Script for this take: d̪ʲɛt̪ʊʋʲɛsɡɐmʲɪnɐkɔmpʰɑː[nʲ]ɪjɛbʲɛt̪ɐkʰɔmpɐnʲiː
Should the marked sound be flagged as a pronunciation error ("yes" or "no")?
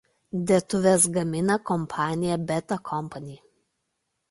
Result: no